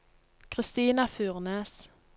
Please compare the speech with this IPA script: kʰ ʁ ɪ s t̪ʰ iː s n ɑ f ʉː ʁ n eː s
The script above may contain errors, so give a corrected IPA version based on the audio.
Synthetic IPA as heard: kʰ ʁ ɪ s t̪ iː n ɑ f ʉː ʁ n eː s